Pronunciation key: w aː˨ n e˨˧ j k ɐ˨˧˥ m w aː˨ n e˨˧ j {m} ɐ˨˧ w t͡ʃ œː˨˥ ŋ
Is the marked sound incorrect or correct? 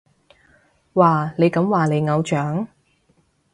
incorrect: ŋ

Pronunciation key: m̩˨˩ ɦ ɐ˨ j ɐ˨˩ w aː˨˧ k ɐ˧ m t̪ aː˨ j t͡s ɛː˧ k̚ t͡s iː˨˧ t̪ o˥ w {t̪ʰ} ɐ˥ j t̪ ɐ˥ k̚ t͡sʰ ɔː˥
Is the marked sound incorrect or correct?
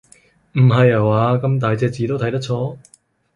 correct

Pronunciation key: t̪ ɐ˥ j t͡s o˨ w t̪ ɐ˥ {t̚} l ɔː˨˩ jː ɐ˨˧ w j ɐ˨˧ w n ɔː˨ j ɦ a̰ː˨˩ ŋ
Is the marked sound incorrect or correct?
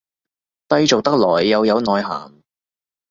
incorrect: k̚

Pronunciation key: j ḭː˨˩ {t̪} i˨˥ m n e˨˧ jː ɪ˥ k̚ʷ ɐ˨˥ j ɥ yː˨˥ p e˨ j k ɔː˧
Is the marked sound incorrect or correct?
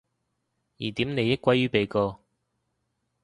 correct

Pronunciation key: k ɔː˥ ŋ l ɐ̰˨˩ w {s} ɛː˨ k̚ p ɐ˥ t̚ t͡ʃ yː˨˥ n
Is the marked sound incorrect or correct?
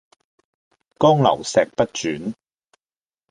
correct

